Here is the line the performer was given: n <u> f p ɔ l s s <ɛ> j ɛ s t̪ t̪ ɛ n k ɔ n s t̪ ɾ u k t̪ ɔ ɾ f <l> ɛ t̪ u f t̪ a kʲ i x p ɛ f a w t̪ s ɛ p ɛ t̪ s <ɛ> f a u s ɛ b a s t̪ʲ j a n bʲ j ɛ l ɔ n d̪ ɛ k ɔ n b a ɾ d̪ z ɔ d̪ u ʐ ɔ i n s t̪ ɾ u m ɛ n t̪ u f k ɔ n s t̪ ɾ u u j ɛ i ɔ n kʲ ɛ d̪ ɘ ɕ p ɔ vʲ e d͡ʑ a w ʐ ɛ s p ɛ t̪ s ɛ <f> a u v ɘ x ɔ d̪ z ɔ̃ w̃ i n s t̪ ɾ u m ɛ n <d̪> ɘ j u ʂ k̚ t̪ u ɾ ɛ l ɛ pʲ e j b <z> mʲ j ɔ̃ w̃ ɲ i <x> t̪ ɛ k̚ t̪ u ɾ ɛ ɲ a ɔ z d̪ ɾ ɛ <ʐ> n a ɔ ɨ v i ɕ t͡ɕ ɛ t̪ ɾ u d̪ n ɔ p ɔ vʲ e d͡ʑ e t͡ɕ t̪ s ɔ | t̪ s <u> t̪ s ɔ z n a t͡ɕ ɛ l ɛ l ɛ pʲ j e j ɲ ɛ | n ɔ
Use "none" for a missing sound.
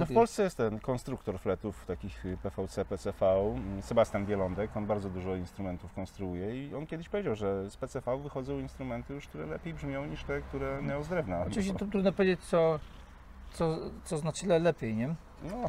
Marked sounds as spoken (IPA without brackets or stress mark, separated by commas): ɔ, ɛ, l, ɛ, f, t̪, ʐ, ʂ, v, ɔ